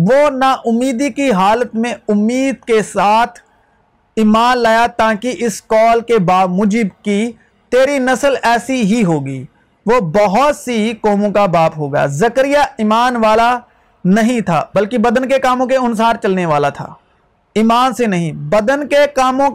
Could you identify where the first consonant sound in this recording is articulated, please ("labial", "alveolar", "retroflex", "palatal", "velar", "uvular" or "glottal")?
labial